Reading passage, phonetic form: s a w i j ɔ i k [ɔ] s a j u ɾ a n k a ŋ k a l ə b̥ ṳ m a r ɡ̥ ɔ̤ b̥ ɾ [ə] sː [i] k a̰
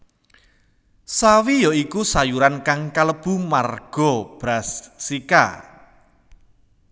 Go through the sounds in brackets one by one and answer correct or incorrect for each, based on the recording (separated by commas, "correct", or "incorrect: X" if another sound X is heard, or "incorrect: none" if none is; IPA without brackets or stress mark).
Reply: incorrect: u, incorrect: a, correct